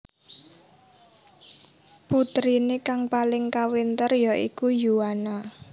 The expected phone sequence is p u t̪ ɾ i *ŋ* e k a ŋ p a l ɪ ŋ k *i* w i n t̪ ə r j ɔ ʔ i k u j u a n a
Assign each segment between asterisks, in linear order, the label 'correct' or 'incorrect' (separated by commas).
incorrect, incorrect